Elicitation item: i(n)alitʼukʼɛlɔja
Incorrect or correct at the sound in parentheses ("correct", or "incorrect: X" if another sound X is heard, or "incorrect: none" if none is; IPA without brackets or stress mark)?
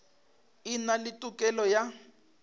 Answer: correct